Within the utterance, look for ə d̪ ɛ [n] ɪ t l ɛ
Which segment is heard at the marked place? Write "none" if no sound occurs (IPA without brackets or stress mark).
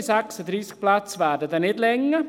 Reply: n